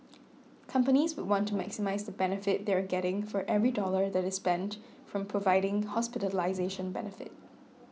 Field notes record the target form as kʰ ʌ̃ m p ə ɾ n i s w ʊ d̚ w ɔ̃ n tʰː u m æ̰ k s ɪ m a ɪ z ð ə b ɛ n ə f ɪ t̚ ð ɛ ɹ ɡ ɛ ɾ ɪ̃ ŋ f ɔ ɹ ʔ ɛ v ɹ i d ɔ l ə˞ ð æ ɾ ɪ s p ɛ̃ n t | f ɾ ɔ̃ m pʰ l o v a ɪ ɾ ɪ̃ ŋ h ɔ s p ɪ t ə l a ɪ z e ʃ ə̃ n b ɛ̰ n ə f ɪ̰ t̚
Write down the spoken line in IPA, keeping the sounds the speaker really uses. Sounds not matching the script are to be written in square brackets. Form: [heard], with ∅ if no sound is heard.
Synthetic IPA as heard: kʰ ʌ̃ m p ə [∅] n i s w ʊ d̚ w ɔ̃ n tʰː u m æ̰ k s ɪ m a ɪ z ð ə b ɛ n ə f ɪ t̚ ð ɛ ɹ ɡ ɛ ɾ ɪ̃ ŋ f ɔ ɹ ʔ ɛ v ɹ i d ɔ l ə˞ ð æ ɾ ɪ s p ɛ̃ n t | f [ɹ] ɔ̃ m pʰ [ɹ] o v a ɪ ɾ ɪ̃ ŋ h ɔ s p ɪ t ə l a ɪ z e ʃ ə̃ n b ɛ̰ n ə f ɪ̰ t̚